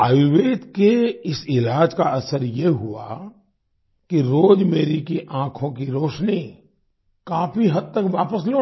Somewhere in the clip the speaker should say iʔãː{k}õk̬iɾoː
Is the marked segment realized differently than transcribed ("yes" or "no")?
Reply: yes